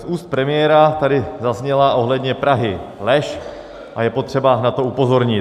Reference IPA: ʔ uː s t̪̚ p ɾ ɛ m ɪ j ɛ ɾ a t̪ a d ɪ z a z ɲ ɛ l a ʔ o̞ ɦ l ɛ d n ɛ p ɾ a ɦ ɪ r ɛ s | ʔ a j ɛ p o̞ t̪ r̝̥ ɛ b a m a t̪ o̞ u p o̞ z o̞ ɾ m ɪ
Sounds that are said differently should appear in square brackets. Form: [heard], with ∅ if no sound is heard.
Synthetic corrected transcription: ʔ uː s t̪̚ p ɾ ɛ m ɪ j ɛ ɾ a t̪ a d ɪ z a z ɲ ɛ l a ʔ o̞ ɦ l ɛ d [ɲ] ɛ p ɾ a ɦ ɪ [l] ɛ [ʃ] | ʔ a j ɛ p o̞ t̪ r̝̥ ɛ b a [n] a t̪ o̞ u p o̞ z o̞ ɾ [ɲ] ɪ